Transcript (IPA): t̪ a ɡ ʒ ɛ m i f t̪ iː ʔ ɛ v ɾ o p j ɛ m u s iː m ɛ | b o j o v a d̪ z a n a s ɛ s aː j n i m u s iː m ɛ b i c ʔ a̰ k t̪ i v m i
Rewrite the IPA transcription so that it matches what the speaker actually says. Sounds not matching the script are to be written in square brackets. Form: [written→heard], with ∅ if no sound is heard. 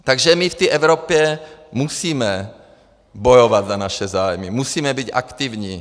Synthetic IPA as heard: t̪ a ɡ ʒ ɛ m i f t̪ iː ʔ ɛ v ɾ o p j ɛ m u s iː m ɛ | b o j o v a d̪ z a n a [s→ʃ] ɛ [s→z] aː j [n→m] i m u s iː m ɛ b i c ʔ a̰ k t̪ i v [m→ɲ] i